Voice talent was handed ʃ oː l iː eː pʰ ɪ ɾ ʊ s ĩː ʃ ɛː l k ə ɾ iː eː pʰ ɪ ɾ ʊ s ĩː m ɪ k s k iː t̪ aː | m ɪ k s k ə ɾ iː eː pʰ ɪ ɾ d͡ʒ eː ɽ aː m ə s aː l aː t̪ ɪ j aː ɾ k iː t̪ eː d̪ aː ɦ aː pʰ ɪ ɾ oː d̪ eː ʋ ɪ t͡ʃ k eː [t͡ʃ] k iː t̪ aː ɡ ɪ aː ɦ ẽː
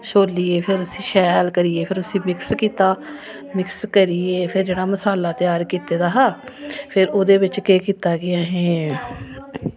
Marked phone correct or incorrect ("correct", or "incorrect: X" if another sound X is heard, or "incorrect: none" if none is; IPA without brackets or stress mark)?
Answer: incorrect: none